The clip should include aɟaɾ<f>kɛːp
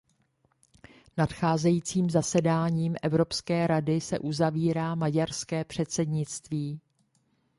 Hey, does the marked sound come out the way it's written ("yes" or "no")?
no